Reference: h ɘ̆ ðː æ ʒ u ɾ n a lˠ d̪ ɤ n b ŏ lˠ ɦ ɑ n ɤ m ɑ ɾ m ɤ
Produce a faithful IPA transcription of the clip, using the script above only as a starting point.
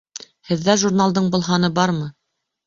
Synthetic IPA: h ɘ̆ ðː æ ʒ u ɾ n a lˠ d̪ ɤ ɴ b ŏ lˠ ɦ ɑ n ɤ b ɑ ɾ m ɤ